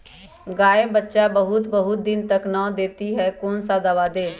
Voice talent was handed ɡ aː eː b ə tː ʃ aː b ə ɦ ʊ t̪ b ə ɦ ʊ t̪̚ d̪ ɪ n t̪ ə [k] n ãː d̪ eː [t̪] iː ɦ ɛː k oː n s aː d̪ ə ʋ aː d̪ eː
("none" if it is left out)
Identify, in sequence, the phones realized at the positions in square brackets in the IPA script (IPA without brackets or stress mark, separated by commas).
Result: k, t̪